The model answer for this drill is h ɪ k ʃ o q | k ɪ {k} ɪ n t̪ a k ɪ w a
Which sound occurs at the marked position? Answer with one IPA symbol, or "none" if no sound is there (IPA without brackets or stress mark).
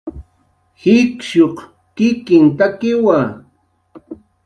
k